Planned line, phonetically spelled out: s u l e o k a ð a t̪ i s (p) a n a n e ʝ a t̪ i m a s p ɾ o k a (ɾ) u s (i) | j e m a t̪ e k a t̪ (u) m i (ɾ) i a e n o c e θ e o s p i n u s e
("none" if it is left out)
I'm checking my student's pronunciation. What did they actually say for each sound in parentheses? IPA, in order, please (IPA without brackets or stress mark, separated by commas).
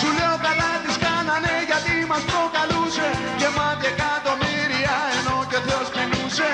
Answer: k, l, e, o, ɾ